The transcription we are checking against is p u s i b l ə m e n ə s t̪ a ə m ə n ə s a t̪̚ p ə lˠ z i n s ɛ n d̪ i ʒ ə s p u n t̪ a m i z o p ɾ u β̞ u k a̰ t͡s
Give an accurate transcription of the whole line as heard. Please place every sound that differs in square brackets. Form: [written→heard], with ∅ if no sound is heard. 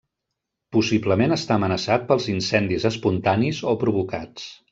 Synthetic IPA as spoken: p u s i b l ə m e n ə s t̪ a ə m ə n ə s a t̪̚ p ə lˠ z i n s ɛ n d̪ i [ʒ→z] ə s p u n t̪ a [m→n] i z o p ɾ u β̞ u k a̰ t͡s